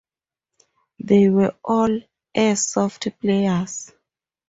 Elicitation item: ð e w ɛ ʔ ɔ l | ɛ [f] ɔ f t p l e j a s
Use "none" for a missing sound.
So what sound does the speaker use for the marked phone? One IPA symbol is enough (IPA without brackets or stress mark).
s